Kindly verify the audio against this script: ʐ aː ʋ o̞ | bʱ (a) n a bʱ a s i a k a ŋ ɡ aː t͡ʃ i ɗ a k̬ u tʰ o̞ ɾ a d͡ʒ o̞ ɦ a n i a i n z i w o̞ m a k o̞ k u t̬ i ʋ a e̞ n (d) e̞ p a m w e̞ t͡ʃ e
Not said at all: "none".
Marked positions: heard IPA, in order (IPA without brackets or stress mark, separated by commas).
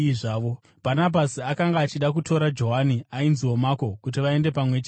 a, d